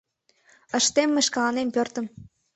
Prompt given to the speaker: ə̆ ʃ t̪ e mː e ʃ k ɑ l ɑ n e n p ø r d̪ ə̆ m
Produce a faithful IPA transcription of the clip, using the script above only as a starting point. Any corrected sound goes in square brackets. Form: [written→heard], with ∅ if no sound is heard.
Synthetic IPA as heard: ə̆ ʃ t̪ e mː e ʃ k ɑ l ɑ n e [n→m] p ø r [d̪→t̪] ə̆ m